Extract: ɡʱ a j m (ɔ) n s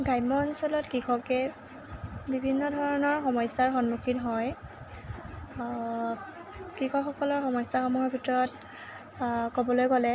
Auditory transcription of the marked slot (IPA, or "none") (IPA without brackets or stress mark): ɔ